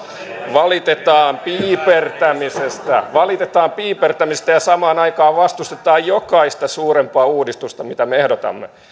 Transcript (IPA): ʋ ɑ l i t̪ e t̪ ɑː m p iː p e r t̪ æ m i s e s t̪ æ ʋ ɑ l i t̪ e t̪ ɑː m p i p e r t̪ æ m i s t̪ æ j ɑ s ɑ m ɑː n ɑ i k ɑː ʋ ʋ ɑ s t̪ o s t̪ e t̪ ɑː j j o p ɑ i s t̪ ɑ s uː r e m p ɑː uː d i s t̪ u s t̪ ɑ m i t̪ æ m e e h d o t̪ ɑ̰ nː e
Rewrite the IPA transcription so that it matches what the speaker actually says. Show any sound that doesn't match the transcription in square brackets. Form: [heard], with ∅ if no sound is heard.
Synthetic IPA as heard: ʋ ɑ l i t̪ e t̪ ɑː m p iː p e r t̪ æ m i s e s t̪ æ ʋ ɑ l i t̪ e t̪ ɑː m p [iː] p e r t̪ æ m i s t̪ æ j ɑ s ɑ m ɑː n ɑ i k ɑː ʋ ʋ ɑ s t̪ [u] s t̪ e t̪ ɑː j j o [k] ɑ i s t̪ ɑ s uː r e m p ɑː uː d i s t̪ u s t̪ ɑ m i t̪ æ m e e h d o t̪ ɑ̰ [mː] e